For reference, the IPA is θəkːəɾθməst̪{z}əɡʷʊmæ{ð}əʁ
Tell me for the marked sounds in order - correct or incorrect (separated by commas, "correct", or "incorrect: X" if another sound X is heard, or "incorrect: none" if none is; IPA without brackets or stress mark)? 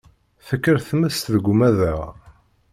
incorrect: ð, correct